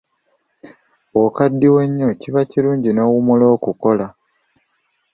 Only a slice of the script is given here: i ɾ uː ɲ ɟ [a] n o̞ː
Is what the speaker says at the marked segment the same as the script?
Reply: no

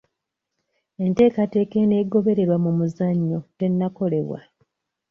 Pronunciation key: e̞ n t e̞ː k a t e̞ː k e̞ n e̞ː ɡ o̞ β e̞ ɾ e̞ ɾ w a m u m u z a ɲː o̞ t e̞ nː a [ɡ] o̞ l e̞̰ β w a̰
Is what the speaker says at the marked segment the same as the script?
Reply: no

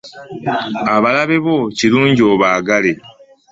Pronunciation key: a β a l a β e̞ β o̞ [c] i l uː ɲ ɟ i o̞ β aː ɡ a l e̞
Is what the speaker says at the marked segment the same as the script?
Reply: yes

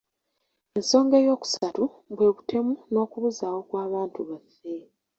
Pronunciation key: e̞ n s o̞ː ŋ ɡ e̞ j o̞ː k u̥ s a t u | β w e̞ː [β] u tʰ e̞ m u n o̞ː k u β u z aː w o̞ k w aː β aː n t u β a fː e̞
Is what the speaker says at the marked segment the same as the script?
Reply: yes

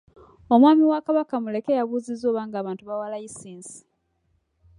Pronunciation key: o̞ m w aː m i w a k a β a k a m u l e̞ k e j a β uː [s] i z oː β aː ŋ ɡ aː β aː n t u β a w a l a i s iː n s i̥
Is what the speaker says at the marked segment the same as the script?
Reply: no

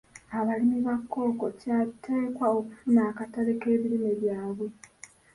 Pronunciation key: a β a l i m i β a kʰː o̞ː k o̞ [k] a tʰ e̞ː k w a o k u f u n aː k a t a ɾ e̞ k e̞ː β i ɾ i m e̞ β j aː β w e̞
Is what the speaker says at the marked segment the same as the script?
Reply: no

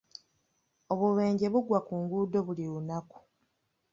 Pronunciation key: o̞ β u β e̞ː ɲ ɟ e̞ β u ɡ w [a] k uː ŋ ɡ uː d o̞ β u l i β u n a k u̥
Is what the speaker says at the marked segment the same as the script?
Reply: yes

